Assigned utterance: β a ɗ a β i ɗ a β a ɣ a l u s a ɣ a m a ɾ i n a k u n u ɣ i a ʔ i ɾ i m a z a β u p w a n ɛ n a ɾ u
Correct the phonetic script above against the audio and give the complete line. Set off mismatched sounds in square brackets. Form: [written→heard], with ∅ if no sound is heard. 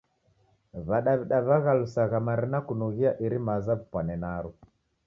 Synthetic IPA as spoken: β a ɗ a β i ɗ a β a ɣ a l u s a ɣ a m a ɾ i n a k u n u ɣ i a ʔ i ɾ i m a z a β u p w a n ɛ n a ɾ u